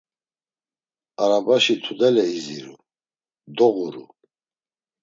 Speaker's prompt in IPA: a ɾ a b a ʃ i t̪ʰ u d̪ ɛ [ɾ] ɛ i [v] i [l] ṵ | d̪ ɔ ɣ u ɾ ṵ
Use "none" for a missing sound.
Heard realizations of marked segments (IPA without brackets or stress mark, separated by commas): l, z, ɾ